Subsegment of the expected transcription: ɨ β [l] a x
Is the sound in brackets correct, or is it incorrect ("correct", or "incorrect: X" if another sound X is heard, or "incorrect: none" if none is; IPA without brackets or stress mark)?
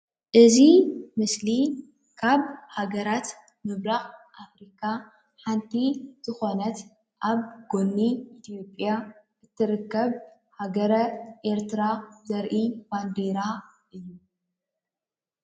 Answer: incorrect: ɾ